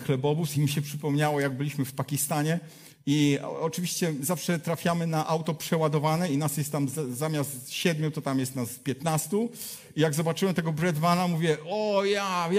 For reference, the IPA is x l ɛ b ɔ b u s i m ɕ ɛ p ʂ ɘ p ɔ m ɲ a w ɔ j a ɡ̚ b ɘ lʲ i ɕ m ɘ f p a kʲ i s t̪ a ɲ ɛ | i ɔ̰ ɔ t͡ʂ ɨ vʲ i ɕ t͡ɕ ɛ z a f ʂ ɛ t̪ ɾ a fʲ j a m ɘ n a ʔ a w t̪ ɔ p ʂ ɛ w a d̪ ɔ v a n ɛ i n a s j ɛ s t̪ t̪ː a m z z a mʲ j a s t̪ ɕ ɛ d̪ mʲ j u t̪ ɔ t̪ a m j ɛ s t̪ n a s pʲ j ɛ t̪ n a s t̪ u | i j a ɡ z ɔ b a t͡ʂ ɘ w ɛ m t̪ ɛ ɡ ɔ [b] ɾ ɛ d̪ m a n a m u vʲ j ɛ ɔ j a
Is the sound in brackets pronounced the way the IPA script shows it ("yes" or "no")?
yes